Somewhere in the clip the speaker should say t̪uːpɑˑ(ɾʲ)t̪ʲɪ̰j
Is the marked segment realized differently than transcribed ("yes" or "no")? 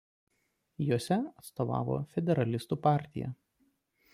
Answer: no